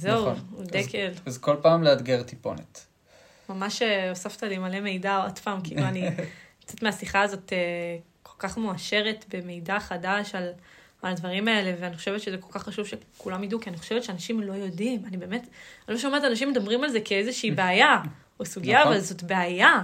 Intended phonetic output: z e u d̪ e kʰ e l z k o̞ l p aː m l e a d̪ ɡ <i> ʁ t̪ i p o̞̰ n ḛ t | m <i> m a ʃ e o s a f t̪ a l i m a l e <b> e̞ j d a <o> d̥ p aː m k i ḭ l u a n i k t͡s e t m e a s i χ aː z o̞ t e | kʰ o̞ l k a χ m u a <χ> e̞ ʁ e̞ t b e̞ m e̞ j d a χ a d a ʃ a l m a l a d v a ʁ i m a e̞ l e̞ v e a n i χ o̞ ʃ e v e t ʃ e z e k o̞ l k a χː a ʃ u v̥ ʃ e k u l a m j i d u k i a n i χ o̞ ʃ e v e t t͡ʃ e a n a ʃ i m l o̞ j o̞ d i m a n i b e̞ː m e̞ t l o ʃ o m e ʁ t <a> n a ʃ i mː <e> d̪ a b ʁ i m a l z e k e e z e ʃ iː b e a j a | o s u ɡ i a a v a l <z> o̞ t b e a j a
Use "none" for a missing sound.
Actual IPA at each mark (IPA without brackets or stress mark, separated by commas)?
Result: e, a, m, o, ʃ, a, e, z